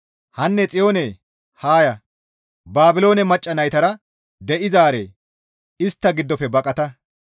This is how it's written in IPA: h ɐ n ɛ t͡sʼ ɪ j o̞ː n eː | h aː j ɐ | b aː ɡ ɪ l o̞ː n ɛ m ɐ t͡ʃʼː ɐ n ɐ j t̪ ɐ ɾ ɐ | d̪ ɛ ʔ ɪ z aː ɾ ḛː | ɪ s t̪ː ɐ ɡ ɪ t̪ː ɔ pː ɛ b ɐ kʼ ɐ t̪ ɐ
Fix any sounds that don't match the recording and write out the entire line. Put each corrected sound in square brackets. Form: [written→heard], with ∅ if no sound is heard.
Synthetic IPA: h ɐ [n→nː] ɛ t͡sʼ ɪ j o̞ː n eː | h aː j ɐ | b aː [ɡ→b] ɪ l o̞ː n ɛ m ɐ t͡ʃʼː ɐ n ɐ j t̪ ɐ ɾ ɐ | d̪ ɛ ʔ ɪ z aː ɾ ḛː | ɪ s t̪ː ɐ ɡ ɪ [t̪ː→d̪ː] ɔ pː ɛ b ɐ kʼ ɐ t̪ ɐ